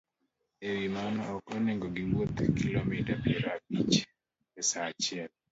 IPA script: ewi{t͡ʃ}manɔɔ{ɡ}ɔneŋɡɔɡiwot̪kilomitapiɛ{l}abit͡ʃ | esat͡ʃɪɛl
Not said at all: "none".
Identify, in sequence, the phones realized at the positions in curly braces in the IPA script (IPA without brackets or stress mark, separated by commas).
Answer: none, k, ɾ